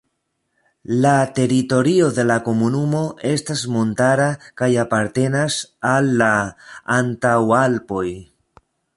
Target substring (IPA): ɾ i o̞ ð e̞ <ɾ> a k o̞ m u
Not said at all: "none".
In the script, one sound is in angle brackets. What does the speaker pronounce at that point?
l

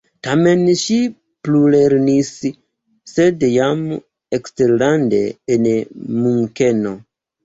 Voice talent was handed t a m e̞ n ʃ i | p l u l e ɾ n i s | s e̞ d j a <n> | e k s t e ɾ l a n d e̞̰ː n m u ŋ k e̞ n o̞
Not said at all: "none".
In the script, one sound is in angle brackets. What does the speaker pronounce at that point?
m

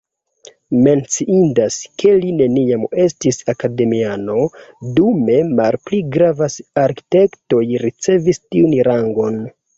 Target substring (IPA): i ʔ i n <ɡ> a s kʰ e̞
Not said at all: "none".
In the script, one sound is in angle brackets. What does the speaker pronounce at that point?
d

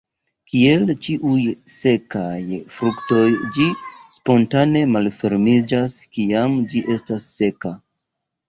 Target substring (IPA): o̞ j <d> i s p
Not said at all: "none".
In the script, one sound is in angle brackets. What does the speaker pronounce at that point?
d͡ʒ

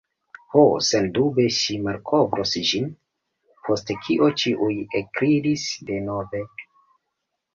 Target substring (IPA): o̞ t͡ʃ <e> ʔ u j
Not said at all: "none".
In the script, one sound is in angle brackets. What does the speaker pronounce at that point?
i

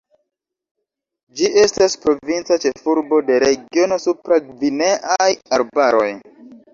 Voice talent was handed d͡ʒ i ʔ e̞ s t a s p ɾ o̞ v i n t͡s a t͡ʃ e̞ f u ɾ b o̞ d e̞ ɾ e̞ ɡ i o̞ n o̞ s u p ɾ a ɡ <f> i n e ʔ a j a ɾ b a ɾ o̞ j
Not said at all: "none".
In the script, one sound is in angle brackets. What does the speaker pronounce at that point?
v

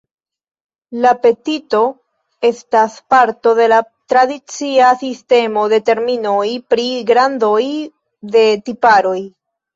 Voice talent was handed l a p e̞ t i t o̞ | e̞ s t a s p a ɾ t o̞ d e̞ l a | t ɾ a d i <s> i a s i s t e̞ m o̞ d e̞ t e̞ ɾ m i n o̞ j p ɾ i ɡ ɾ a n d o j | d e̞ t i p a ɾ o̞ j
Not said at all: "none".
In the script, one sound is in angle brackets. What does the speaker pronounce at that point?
t͡s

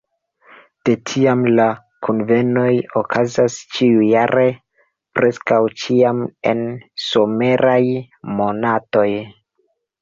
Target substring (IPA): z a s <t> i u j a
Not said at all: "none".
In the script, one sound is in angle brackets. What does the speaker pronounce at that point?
t͡ʃ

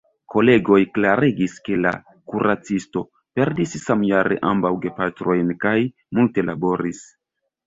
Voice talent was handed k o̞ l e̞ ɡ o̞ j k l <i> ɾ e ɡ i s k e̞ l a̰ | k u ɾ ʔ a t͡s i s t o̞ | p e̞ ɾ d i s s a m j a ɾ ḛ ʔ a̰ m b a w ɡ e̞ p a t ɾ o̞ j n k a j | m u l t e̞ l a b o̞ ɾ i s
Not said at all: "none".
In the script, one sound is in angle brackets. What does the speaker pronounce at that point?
a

